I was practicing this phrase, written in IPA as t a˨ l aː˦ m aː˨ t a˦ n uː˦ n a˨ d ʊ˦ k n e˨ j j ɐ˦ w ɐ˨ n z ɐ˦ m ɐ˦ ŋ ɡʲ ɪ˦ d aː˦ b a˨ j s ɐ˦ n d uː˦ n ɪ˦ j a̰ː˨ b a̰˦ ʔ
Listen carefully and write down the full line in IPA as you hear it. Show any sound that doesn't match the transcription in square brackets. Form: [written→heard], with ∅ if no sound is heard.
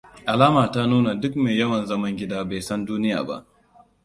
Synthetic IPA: [t→ʔ] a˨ l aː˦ m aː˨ t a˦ n uː˦ n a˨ d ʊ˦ k [n→m] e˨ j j ɐ˦ w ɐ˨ n z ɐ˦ m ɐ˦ ŋ ɡʲ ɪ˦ d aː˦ b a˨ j s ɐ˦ n d uː˦ n ɪ˦ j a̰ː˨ b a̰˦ ʔ